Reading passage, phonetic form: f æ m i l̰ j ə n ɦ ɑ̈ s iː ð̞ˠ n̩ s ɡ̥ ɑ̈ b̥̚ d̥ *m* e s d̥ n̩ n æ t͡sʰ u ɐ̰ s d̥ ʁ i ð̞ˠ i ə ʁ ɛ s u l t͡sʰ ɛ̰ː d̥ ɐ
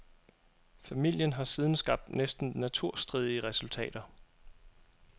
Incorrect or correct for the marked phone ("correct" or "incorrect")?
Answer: incorrect